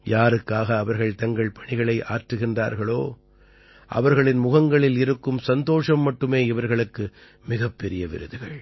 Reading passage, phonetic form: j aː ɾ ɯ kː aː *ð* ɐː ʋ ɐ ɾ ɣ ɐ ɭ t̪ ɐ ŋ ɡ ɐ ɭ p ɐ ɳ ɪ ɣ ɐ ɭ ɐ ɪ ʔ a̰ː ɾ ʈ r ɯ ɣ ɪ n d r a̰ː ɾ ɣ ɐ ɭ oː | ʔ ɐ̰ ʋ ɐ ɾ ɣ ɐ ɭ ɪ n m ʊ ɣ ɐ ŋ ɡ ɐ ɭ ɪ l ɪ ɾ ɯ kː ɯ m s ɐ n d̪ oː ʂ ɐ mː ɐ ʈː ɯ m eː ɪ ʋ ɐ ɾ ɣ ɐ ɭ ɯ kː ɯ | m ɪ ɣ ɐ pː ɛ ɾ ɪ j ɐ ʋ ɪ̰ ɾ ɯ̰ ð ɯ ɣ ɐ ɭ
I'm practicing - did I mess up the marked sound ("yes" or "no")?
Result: yes